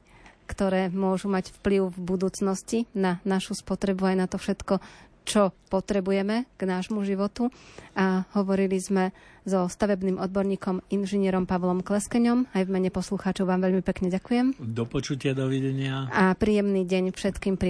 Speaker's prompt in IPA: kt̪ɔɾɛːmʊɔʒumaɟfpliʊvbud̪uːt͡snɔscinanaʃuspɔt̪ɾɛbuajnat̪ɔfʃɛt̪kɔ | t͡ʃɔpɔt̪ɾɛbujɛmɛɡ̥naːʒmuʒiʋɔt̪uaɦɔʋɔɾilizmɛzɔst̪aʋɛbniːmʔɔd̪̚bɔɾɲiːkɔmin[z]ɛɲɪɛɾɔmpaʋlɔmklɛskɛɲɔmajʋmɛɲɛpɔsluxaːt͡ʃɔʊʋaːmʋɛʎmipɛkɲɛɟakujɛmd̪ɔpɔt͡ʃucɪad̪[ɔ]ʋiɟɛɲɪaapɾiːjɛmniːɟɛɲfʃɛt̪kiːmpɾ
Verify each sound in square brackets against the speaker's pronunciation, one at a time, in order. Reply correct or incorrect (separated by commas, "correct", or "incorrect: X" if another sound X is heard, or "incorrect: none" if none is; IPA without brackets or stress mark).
incorrect: ʒ, correct